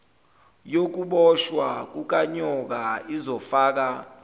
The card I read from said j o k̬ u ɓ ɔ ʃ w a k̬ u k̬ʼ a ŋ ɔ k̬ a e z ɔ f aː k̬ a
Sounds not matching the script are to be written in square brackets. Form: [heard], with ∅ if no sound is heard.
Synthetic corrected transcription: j o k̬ u ɓ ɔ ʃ w a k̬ u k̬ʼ a [ɲ] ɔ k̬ a [i] z ɔ f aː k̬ a